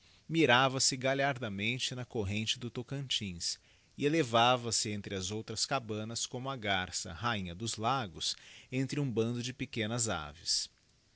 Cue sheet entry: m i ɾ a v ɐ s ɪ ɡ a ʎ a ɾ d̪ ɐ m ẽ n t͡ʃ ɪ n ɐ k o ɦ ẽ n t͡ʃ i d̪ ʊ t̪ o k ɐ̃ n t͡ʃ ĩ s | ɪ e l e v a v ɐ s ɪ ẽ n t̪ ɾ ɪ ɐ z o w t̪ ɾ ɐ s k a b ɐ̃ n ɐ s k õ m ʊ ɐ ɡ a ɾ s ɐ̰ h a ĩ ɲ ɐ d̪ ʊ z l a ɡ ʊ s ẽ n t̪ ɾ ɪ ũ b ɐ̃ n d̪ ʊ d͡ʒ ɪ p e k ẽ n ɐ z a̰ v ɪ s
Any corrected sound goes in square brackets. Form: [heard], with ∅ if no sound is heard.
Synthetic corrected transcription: m i ɾ a v ɐ s ɪ ɡ a ʎ a ɾ d̪ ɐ m ẽ n t͡ʃ ɪ n ɐ k o ɦ ẽ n t͡ʃ [ɪ] d̪ ʊ t̪ o k ɐ̃ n t͡ʃ ĩ s | ɪ e l e v a v ɐ s ɪ ẽ n t̪ ɾ ɪ ɐ z o w t̪ ɾ ɐ s k a b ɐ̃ n ɐ s k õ m ʊ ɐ ɡ a ɾ s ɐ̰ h a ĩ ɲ ɐ d̪ ʊ z l a ɡ ʊ s ẽ n t̪ ɾ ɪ ũ b ɐ̃ n d̪ ʊ d͡ʒ ɪ p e k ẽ n ɐ z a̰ v ɪ s